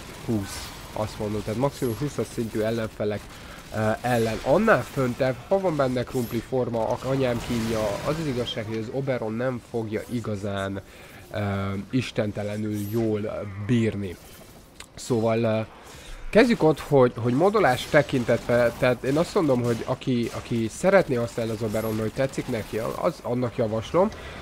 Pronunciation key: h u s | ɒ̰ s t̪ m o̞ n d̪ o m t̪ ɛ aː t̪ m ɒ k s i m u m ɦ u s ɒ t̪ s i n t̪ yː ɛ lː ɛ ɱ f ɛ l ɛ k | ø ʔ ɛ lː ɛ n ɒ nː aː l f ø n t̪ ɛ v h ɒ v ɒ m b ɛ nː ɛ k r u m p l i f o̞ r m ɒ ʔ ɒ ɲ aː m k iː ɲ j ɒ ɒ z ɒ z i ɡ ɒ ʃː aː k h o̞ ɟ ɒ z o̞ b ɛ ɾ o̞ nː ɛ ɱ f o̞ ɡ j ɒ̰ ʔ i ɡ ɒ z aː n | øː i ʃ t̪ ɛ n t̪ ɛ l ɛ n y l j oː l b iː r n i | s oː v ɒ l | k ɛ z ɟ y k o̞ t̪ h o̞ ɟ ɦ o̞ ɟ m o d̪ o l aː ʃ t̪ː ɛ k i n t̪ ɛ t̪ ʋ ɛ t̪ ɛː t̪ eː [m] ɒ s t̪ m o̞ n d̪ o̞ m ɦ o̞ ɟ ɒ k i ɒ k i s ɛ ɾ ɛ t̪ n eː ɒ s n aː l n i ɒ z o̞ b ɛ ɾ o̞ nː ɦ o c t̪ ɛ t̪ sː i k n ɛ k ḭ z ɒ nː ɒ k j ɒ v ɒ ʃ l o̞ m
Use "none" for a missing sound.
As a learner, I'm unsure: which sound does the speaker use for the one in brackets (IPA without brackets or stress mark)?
n